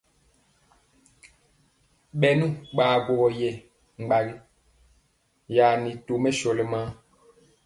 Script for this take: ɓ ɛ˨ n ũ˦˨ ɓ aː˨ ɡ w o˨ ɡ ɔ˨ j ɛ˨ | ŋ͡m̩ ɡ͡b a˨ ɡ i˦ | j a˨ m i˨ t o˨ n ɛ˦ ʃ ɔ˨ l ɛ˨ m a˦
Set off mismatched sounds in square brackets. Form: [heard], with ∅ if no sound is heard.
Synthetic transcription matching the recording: ɓ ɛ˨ n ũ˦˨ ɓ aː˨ ɡ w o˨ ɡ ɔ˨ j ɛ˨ | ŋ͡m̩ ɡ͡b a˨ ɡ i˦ | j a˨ [n] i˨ t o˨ [m] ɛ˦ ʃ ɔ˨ l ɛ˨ m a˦